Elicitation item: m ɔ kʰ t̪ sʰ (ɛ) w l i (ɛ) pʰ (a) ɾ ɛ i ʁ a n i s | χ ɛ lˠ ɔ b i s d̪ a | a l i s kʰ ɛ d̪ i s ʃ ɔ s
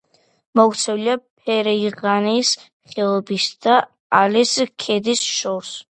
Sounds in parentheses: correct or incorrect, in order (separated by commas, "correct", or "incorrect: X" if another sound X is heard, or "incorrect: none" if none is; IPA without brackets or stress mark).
correct, incorrect: a, incorrect: ɛ